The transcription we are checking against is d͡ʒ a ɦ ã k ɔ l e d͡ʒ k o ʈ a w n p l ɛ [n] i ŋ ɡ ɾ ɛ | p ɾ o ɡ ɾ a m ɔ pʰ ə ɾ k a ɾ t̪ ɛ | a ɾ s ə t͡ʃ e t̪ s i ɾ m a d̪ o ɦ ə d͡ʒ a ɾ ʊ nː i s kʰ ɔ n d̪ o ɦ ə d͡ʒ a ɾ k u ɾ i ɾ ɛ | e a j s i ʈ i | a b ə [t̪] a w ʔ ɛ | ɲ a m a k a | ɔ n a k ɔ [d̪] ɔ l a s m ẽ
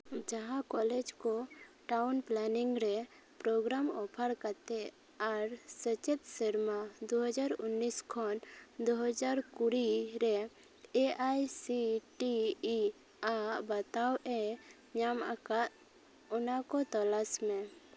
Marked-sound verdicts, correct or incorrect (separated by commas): correct, correct, incorrect